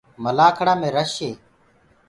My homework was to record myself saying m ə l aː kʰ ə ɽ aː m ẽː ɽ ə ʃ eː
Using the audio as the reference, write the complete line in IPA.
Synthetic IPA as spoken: m ə l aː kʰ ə ɽ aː m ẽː ɾ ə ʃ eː